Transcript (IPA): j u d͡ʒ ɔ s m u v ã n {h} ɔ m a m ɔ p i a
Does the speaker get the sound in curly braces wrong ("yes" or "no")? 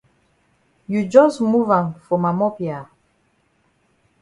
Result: yes